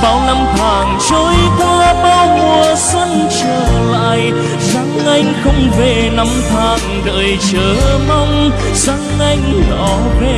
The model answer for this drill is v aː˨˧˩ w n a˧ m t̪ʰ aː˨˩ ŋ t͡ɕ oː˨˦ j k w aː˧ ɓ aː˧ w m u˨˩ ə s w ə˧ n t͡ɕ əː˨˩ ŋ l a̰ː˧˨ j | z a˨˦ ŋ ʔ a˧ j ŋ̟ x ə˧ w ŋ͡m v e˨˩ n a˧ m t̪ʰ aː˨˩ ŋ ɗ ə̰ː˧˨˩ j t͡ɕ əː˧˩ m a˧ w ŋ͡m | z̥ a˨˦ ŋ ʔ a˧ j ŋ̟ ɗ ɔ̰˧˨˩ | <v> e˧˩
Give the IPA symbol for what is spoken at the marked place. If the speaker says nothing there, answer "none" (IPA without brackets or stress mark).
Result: v